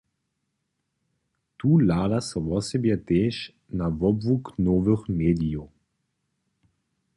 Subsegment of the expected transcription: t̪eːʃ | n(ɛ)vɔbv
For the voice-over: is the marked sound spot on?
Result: no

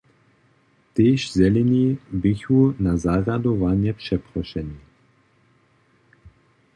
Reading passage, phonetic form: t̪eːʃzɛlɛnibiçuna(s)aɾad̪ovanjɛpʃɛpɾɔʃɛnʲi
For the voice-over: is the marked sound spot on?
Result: no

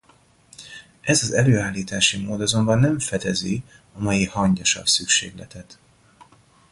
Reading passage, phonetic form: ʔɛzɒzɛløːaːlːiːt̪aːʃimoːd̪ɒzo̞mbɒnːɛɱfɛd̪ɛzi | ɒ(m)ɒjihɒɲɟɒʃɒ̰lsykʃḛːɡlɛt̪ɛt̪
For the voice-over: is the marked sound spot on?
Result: yes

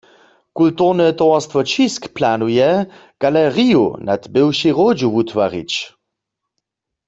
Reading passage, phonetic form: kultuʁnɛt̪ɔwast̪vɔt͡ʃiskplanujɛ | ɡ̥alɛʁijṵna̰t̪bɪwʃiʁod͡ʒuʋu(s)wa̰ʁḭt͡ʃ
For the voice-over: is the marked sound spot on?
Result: no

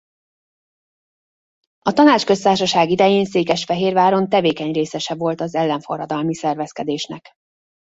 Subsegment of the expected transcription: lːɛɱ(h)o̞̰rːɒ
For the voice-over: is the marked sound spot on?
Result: no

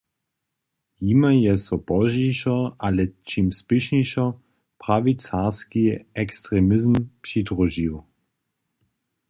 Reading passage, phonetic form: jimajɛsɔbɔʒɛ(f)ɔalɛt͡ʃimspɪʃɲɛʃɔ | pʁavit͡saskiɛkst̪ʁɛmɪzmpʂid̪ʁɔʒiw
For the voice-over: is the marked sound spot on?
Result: no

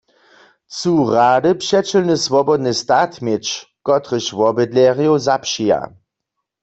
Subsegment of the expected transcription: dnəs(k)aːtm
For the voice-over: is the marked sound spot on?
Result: no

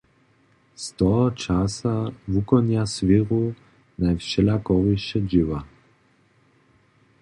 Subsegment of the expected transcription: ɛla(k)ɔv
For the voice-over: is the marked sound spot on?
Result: yes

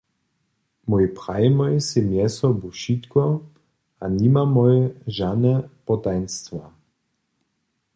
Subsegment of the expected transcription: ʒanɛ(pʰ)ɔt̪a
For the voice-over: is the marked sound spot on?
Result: no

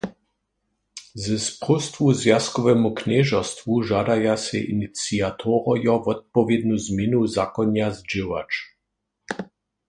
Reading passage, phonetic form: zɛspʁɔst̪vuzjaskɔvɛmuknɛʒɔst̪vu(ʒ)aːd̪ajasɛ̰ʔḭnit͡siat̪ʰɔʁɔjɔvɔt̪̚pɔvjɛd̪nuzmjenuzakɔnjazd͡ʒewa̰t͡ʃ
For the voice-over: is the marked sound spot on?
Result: yes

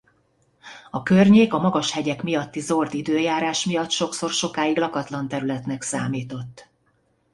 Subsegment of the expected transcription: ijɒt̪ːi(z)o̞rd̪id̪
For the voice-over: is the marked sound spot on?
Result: yes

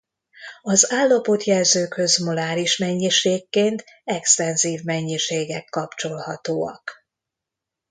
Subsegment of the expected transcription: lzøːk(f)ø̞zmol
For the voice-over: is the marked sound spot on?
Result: no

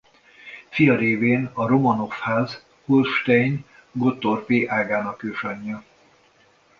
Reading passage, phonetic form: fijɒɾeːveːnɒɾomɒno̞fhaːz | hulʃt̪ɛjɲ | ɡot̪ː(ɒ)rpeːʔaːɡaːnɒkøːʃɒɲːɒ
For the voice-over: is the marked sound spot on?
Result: no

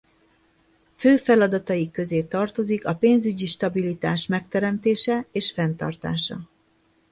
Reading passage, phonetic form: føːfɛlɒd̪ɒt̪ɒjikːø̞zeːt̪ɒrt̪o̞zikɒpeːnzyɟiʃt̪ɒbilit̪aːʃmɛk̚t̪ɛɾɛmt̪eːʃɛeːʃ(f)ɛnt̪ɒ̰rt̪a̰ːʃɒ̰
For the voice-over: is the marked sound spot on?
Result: yes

